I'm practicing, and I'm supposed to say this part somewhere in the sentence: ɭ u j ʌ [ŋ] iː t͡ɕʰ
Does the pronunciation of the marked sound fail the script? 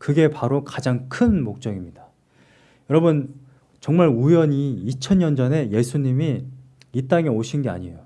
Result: yes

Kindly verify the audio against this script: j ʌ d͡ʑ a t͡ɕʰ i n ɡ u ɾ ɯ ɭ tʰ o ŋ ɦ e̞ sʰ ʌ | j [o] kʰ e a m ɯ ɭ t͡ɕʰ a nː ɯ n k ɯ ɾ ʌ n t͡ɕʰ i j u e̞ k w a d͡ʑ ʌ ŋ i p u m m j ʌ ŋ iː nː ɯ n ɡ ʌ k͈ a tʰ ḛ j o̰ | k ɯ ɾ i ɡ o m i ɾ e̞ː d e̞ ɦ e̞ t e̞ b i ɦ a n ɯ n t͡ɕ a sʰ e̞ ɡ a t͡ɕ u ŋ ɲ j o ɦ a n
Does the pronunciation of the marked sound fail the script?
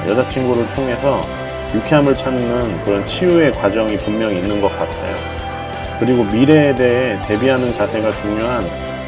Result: yes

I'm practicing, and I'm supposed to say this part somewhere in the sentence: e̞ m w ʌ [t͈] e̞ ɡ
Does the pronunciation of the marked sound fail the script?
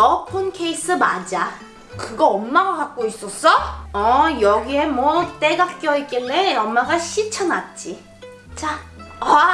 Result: no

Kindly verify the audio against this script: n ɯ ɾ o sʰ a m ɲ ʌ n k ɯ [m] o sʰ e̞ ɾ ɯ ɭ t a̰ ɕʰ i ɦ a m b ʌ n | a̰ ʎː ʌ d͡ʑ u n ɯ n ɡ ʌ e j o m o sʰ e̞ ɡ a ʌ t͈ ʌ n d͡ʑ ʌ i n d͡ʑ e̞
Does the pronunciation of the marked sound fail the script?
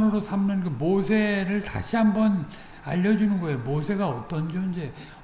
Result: no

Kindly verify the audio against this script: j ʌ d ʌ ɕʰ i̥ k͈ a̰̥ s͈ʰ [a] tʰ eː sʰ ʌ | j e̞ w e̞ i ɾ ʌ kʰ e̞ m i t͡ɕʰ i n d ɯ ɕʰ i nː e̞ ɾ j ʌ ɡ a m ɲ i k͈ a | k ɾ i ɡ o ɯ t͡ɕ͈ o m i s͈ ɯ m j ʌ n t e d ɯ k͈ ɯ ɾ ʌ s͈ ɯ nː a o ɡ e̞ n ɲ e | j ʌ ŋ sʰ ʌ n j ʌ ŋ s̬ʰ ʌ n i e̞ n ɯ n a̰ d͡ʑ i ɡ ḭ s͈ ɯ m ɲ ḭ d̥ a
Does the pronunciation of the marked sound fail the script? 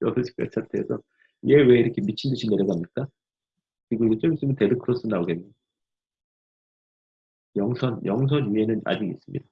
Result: no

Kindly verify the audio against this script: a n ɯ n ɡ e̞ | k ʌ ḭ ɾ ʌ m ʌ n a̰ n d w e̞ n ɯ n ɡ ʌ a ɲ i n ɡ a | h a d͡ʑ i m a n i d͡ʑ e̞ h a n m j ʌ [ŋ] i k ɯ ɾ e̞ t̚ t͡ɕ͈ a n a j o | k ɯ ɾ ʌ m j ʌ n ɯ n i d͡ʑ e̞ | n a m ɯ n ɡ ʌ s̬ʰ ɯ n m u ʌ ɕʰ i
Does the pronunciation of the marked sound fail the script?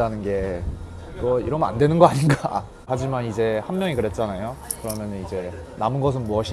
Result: no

